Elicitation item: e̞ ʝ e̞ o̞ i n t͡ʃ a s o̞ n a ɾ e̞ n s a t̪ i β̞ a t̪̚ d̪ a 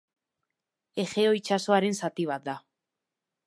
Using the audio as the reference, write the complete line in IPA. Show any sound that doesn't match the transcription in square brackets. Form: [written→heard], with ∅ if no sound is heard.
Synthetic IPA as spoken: e̞ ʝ e̞ o̞ i [n→∅] t͡ʃ a s o̞ [n→∅] a ɾ e̞ n s a t̪ i β̞ a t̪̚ d̪ a